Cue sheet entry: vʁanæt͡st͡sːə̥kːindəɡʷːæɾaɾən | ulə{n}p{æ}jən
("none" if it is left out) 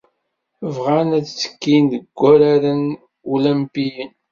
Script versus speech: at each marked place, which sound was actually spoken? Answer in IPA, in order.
m, i

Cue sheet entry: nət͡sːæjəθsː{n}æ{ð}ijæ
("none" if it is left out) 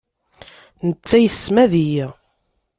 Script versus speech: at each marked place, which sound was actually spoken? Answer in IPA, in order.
m, ð

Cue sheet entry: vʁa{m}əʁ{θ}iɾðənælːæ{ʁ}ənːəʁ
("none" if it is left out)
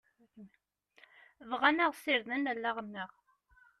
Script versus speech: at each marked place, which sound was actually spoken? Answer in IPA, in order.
n, s, ʁ

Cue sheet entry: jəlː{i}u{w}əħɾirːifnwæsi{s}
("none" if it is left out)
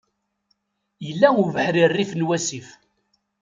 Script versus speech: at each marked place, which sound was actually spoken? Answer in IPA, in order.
æ, v, f

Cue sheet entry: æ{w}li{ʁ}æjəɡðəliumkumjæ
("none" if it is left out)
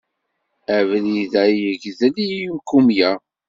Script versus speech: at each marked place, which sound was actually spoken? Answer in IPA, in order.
v, ð

